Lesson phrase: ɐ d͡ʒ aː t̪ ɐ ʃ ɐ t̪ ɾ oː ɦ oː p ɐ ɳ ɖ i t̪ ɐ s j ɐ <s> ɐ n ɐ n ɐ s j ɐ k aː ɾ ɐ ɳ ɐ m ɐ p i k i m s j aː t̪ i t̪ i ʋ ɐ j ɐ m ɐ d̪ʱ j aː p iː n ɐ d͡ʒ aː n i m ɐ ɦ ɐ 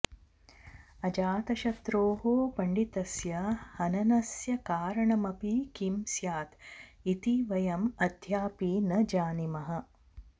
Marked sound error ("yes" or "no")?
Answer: yes